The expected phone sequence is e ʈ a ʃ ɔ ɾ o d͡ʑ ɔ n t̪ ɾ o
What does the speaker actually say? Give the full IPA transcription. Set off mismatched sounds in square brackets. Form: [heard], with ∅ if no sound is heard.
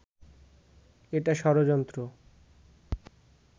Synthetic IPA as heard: e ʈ a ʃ ɔ ɾ o d͡ʑ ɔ n t̪ ɾ o